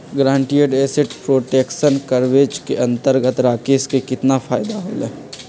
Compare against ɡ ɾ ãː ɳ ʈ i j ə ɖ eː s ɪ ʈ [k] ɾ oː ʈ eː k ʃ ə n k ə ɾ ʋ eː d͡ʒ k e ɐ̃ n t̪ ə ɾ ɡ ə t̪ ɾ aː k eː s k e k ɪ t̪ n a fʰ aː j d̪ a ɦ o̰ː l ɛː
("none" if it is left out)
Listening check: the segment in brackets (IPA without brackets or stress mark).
p